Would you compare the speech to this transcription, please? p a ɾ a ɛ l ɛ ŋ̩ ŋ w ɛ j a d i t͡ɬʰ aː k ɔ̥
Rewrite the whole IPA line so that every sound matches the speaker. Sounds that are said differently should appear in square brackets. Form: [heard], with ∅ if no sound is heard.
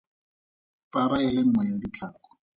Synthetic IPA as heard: p a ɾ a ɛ l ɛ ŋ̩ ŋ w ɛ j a d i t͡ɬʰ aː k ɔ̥